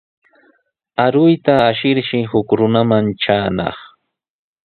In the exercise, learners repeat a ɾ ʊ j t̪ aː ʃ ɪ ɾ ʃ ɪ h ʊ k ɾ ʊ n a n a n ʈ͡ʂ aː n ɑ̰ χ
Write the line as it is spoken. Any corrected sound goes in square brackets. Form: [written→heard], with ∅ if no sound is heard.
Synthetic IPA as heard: a ɾ ʊ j t̪ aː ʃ ɪ ɾ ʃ ɪ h ʊ k ɾ ʊ n a [n→m] a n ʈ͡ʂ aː n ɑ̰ χ